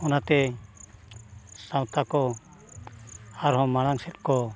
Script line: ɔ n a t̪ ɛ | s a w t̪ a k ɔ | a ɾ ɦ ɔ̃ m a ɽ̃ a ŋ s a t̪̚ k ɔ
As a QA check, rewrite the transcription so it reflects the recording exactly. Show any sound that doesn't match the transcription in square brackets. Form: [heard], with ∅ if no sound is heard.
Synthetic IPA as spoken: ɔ n a t̪ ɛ | s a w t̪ a k ɔ | a ɾ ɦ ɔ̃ m a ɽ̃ a ŋ s [ɛ] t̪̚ k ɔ